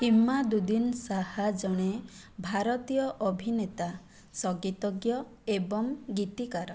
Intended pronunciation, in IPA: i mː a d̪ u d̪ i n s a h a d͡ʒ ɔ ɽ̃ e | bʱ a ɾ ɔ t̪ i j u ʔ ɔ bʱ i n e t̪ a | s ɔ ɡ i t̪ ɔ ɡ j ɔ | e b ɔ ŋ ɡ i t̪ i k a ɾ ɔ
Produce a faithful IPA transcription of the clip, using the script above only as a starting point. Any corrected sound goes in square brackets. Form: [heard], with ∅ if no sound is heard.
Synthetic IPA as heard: i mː a d̪ u d̪ i n s a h a d͡ʒ ɔ ɽ̃ e | bʱ a ɾ ɔ t̪ i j [ɔ] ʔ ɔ bʱ i n e t̪ a | s ɔ ɡ i t̪ ɔ ɡ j ɔ | e b ɔ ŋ ɡ i t̪ i k a ɾ ɔ